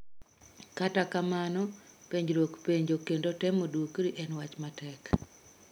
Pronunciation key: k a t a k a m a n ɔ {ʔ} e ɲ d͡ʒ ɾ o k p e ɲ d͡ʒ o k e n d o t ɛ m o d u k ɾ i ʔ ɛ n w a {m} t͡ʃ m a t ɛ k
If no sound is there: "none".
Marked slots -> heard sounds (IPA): p, none

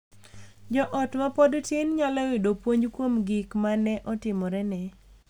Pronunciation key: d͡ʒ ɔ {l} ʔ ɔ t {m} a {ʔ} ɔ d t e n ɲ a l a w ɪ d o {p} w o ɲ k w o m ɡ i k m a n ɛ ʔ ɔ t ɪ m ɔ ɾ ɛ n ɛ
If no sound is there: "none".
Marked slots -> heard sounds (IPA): none, m, p, p

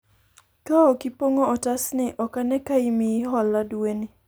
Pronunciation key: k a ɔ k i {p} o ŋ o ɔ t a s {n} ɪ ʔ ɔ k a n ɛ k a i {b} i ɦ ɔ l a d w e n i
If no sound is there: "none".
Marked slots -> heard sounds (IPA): p, n, m

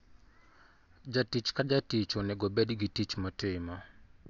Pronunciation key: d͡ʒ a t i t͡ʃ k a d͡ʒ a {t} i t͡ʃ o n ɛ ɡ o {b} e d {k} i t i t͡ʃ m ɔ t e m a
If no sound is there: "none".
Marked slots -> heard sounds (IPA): t, b, ɡ

